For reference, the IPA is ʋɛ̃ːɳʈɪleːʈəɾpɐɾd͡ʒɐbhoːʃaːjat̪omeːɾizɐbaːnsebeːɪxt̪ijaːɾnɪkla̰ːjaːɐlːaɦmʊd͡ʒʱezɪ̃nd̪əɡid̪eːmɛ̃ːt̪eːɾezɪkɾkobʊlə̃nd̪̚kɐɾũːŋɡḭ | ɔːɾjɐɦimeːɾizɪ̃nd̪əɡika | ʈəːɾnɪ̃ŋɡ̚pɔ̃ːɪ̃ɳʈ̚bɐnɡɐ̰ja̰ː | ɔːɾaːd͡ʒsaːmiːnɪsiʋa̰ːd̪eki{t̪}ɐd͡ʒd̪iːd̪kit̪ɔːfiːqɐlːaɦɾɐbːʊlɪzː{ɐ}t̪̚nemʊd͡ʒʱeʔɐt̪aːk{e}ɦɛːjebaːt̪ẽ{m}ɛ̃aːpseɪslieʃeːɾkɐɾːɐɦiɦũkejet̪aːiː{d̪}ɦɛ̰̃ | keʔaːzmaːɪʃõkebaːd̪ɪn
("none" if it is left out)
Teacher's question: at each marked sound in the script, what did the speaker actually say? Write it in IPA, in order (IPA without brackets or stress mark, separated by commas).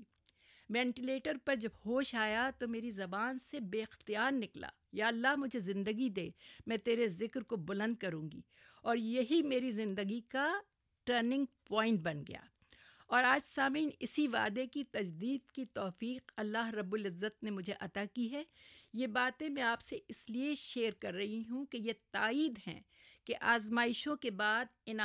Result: t̪, ə, i, m, d̪